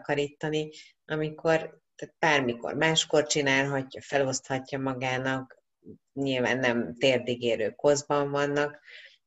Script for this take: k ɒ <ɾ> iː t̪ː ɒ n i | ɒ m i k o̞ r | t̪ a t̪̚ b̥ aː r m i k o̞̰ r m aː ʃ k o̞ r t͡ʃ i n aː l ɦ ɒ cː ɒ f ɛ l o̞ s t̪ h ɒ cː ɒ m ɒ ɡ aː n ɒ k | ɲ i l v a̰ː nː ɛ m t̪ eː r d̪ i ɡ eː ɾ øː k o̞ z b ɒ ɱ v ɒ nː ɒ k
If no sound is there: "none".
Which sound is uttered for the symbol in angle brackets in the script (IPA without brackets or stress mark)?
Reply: ɾ